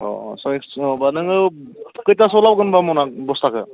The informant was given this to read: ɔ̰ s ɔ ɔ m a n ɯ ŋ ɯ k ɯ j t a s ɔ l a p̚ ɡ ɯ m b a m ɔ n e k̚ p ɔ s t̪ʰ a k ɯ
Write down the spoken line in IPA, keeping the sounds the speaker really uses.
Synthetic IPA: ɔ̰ s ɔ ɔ b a n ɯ ŋ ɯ k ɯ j t a s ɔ l a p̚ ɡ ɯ n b a m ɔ n a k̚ b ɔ s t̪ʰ a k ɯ